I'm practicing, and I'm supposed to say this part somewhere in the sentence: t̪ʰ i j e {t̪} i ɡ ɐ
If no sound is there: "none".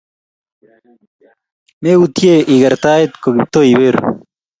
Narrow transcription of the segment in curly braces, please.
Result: none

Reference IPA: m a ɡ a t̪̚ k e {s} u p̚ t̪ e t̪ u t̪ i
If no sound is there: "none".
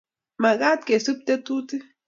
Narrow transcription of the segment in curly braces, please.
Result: s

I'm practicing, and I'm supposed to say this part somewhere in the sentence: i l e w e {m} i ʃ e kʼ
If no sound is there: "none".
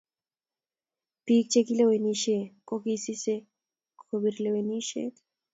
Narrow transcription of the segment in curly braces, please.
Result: n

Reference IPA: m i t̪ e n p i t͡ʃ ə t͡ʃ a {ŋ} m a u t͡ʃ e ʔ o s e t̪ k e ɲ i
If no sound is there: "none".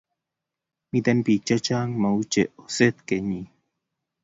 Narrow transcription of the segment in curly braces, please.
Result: ŋ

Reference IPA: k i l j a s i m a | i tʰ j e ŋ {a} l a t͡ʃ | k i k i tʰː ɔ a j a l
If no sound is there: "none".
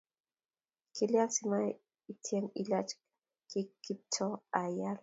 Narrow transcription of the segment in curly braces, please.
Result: i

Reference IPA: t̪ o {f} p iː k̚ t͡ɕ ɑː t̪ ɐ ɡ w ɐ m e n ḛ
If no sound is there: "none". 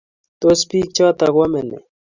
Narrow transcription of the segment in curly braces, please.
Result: s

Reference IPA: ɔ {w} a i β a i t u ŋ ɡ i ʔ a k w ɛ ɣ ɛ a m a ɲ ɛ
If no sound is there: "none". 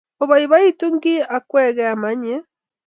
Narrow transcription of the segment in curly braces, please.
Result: β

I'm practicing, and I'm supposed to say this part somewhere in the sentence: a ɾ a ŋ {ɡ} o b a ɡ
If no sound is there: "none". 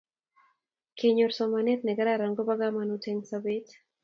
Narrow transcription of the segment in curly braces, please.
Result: ɡ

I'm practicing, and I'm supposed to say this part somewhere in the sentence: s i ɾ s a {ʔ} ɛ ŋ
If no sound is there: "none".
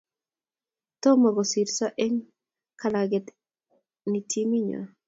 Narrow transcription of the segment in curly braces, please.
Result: ʔ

